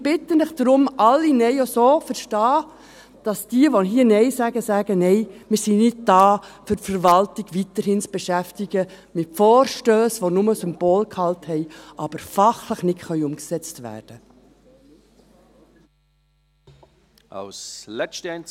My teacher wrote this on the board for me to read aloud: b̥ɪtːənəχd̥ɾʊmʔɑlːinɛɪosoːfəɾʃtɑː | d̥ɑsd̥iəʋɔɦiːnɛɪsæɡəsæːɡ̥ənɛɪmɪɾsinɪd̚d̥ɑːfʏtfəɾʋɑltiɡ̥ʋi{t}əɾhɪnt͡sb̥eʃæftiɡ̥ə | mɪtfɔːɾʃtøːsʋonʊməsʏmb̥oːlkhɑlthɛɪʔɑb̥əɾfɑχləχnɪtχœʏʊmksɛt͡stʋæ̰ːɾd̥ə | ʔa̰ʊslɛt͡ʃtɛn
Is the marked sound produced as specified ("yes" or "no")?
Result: yes